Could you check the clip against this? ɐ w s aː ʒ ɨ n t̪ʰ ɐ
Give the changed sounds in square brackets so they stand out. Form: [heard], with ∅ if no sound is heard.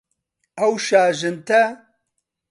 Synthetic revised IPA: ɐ w [ʃ] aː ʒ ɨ n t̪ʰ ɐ